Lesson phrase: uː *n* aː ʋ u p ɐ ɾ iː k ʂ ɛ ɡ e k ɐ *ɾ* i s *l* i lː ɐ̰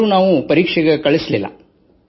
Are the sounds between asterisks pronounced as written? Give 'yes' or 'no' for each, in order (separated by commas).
yes, no, yes